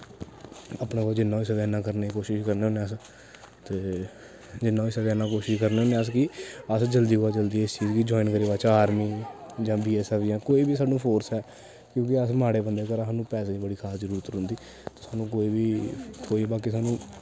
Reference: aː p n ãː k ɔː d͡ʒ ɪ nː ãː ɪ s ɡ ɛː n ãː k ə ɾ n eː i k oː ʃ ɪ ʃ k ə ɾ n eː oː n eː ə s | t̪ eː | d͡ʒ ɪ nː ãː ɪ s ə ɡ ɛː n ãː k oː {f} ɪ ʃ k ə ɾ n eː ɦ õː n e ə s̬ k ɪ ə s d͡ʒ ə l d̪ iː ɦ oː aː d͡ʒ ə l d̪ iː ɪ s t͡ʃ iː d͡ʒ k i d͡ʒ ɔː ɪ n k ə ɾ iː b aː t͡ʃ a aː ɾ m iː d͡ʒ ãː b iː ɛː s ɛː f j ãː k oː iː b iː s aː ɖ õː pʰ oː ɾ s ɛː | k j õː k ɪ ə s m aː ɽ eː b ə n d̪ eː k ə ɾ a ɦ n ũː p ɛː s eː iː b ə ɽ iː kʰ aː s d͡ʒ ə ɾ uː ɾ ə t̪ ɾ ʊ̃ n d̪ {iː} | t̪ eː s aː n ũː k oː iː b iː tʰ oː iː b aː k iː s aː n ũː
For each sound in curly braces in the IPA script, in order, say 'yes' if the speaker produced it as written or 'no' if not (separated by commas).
no, yes